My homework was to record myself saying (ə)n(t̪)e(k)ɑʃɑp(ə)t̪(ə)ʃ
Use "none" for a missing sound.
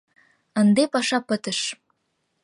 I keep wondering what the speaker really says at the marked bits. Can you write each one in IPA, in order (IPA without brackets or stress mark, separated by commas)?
ə, d̪, p, ə, ə